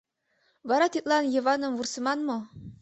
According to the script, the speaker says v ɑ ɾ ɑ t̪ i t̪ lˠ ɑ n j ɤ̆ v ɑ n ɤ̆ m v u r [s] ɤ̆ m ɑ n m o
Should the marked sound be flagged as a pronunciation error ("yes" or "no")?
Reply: no